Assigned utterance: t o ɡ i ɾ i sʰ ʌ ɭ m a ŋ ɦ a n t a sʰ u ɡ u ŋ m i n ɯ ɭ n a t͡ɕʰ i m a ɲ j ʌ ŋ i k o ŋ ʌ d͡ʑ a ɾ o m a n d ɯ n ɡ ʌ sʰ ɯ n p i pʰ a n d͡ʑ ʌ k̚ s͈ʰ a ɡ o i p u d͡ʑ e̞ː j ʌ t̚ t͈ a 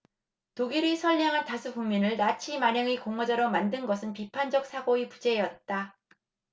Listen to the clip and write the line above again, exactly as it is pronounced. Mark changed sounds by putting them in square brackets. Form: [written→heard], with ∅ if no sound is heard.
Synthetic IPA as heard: t o ɡ i ɾ i sʰ ʌ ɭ [m→ɲ] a ŋ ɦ a n t a sʰ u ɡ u ŋ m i n ɯ ɭ n a t͡ɕʰ i m a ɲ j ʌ ŋ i k o ŋ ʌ d͡ʑ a ɾ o m a n d ɯ n ɡ ʌ sʰ ɯ n p i pʰ a n d͡ʑ ʌ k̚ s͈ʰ a ɡ o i p u d͡ʑ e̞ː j ʌ t̚ t͈ a

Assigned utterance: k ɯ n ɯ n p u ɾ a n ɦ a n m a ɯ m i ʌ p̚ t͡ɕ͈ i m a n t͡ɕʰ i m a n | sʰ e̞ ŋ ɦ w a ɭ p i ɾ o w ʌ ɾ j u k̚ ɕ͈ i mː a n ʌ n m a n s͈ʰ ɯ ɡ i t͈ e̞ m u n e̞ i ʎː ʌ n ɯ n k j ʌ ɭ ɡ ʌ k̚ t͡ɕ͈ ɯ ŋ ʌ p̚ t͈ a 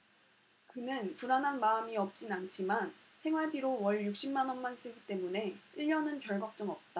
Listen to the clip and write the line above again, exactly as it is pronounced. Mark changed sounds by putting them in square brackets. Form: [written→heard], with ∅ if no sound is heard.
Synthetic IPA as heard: k ɯ n ɯ n p u ɾ a n ɦ a n m a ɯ m i ʌ p̚ t͡ɕ͈ i [m→n] a n t͡ɕʰ i m a n | sʰ e̞ ŋ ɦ w a ɭ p i ɾ o w ʌ [ɾ→ɭ] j u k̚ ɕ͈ i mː a n ʌ n m a n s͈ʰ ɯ ɡ i t͈ e̞ m u n e̞ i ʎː ʌ n ɯ n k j ʌ ɭ ɡ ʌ k̚ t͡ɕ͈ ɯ ŋ ʌ p̚ t͈ a

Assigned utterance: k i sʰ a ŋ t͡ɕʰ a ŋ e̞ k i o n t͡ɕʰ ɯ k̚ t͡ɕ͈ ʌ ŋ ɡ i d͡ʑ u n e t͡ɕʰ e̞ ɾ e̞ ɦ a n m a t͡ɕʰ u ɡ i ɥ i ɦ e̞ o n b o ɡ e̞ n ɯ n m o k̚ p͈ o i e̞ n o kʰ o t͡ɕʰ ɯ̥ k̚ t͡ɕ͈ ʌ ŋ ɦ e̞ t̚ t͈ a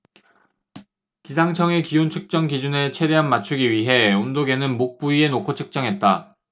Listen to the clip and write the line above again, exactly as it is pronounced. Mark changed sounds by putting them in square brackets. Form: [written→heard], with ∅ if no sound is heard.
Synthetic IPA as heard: k i sʰ a ŋ t͡ɕʰ [a→ʌ] ŋ e̞ k i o n t͡ɕʰ ɯ k̚ t͡ɕ͈ ʌ ŋ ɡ i d͡ʑ u n e t͡ɕʰ e̞ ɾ e̞ ɦ a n m a t͡ɕʰ u ɡ i ɥ i ɦ e̞ o n [b→d] o ɡ e̞ n ɯ n m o k̚ p͈ [o→u] i e̞ n o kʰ o t͡ɕʰ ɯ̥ k̚ t͡ɕ͈ ʌ ŋ ɦ e̞ t̚ t͈ a

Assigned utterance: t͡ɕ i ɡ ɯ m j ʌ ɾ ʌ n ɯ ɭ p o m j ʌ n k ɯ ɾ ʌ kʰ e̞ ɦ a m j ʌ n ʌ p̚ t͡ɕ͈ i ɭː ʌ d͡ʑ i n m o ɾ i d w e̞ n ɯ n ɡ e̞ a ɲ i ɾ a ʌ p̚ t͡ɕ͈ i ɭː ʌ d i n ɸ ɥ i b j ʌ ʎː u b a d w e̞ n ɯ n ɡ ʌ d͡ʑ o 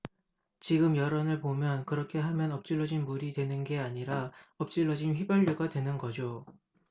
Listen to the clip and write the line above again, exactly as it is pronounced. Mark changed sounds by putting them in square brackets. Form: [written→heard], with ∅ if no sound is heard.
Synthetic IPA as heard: t͡ɕ i ɡ ɯ m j ʌ ɾ ʌ n ɯ ɭ p o m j ʌ n k ɯ ɾ ʌ kʰ e̞ ɦ a m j ʌ n ʌ p̚ t͡ɕ͈ i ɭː ʌ d͡ʑ i n m [o→u] ɾ i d w e̞ n ɯ n ɡ e̞ a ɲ i ɾ a ʌ p̚ t͡ɕ͈ i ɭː ʌ [d→d͡ʑ] i n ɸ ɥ i b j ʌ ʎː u [b→ɡ] a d w e̞ n ɯ n ɡ ʌ d͡ʑ o

